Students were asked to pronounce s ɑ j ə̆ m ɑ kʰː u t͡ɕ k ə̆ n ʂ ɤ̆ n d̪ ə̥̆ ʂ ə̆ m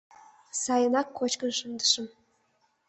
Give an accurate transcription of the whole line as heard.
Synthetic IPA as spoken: s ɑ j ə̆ n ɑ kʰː o t͡ɕ k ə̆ n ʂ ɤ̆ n d̪ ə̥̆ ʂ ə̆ m